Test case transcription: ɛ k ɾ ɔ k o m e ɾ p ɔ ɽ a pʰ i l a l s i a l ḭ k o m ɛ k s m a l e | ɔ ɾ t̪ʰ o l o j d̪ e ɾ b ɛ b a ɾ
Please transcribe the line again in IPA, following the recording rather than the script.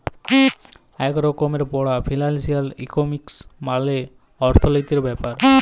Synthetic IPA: ɛ k ɾ ɔ k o m e ɾ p ɔ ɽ a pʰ i l a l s i a l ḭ k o m i k s m a l e | ɔ ɾ t̪ʰ o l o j t̪ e ɾ b ɛ p a ɾ